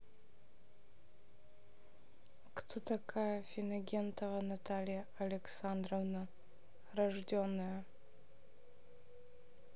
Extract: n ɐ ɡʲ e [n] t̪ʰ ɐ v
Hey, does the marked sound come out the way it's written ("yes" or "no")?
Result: yes